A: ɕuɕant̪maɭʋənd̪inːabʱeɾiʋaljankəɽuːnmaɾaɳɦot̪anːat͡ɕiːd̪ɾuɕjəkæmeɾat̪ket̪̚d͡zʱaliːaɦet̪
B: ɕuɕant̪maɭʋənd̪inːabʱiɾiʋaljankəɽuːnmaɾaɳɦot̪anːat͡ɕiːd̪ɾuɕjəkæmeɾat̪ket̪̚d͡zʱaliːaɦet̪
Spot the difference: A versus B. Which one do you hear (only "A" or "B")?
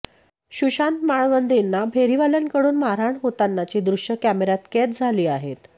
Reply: A